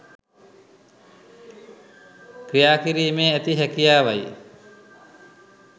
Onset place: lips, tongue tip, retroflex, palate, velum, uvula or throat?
velum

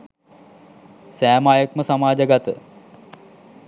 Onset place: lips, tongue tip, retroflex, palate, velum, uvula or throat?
tongue tip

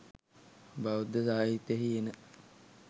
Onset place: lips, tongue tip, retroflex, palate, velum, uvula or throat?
lips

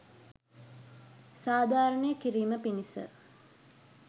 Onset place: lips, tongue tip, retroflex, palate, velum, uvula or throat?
tongue tip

